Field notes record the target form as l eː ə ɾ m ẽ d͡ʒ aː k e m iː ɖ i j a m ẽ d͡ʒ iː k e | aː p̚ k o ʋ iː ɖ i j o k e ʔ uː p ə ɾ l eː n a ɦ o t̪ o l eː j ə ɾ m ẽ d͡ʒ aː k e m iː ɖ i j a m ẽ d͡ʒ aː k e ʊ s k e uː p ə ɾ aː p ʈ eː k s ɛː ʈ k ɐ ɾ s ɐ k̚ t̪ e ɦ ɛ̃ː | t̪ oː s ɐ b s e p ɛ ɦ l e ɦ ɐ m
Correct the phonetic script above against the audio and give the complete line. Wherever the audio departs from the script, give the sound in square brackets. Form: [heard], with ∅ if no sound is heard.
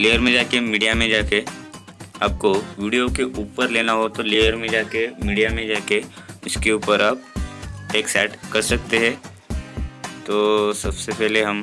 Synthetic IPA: l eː ə ɾ m ẽ d͡ʒ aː k e m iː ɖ i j a m ẽ d͡ʒ [aː] k e | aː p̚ k o ʋ iː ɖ i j o k e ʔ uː p ə ɾ l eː n a ɦ o t̪ o l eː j ə ɾ m ẽ d͡ʒ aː k e m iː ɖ i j a m ẽ d͡ʒ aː k e ʊ s k e uː p ə ɾ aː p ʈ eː k s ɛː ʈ k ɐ ɾ s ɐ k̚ t̪ e ɦ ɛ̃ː | t̪ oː s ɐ b s e p ɛ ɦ l e ɦ ɐ m

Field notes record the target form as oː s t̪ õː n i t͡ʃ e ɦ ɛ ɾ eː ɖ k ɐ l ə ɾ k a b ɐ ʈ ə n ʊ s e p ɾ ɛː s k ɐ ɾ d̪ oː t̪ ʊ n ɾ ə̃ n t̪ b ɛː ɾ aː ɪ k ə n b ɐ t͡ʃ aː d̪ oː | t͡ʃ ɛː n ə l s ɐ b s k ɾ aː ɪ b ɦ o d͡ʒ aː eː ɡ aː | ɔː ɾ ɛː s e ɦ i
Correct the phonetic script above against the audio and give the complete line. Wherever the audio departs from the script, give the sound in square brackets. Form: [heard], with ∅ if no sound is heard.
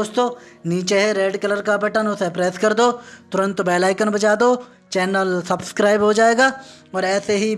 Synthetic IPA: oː s t̪ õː n [iː] t͡ʃ e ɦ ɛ ɾ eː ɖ k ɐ l ə ɾ k a b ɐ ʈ ə n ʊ s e p ɾ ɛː s k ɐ ɾ d̪ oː t̪ ʊ [∅] ɾ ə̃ n t̪ b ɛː [l] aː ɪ k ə n b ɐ t͡ʃ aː d̪ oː | t͡ʃ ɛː n ə l s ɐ b s k ɾ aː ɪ b ɦ o d͡ʒ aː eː ɡ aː | ɔː ɾ ɛː s e ɦ i

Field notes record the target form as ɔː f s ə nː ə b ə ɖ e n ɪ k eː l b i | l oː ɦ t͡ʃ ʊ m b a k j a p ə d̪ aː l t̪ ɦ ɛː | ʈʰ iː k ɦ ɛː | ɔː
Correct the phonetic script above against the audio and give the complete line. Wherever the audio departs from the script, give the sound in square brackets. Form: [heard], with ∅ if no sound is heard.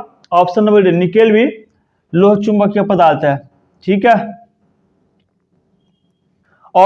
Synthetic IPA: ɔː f s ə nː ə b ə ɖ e n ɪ k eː l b i | l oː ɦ t͡ʃ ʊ m b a k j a p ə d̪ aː l t̪ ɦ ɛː | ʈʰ iː k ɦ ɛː | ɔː

